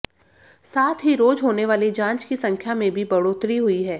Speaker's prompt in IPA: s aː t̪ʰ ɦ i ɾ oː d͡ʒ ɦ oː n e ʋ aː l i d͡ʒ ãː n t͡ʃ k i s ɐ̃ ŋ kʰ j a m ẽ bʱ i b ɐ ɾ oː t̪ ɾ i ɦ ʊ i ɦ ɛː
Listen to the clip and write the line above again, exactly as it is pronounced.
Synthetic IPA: s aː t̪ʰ ɦ i ɾ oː d͡ʒ ɦ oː n e ʋ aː l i d͡ʒ ãː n t͡ʃ k i s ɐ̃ ŋ kʰ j a m ẽ bʱ i b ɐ ɽ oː t̪ ɾ i ɦ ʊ i ɦ ɛː